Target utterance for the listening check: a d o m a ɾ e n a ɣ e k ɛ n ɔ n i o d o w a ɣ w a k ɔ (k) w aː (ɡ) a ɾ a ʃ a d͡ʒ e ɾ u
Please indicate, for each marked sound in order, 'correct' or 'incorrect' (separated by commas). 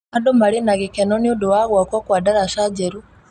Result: correct, incorrect